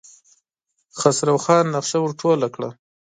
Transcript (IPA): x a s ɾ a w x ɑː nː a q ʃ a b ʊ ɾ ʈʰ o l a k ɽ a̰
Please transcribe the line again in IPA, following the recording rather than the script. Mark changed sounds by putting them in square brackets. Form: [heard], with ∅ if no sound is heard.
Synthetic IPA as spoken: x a s ɾ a w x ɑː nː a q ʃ a [w] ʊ ɾ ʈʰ o l a k ɽ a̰